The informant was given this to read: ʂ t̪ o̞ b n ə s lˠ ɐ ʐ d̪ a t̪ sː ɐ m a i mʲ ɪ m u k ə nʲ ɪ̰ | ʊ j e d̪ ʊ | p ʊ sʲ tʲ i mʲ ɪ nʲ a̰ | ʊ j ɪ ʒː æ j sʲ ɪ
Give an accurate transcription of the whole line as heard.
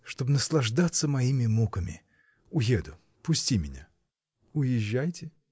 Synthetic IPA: ʂ t̪ o̞ b n ə s lˠ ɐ ʐ d̪ a t̪ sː ə m ɐ i mʲ ɪ m u k ə mʲ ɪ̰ | ʊ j e d̪ ʊ | p ʊ sʲ tʲ i mʲ ɪ nʲ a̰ | ʊ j ɪ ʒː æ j tʲ ɪ